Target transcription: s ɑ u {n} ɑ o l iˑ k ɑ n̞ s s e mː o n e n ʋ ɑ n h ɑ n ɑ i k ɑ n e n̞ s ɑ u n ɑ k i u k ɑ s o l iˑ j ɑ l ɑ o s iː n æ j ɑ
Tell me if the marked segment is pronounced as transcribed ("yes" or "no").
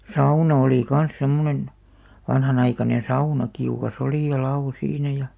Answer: yes